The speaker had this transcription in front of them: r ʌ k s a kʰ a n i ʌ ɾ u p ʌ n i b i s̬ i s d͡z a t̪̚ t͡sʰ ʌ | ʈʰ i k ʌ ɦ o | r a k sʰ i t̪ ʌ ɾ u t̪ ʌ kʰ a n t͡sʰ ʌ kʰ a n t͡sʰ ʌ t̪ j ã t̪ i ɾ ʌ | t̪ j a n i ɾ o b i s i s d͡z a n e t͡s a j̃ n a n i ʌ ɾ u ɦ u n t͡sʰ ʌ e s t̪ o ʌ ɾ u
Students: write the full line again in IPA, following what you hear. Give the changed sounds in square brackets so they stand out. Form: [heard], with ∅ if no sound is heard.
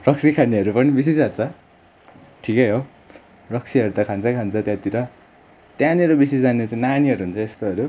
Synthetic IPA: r ʌ k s [i] kʰ a n i ʌ ɾ u p ʌ n i b i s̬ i s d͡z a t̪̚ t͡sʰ ʌ | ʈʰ i k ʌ ɦ o | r [ʌ] k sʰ i [∅] ʌ ɾ u t̪ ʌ kʰ a n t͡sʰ ʌ kʰ a n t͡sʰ ʌ t̪ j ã t̪ i ɾ ʌ | t̪ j a n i ɾ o b i s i s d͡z a n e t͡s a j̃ n a n i ʌ ɾ u ɦ u n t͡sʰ ʌ e s t̪ o ʌ ɾ u